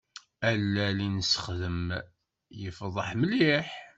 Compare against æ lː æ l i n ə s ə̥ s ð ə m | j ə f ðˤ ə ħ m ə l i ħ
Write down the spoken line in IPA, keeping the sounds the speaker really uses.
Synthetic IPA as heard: æ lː æ l i n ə s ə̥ χ ð ə m | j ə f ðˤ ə ħ m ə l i ħ